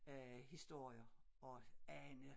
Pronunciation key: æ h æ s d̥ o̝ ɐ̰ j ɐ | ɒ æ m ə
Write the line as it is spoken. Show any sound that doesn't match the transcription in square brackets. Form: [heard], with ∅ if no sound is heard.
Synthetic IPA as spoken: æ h [i] s d̥ o̝ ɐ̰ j ɐ | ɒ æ [n] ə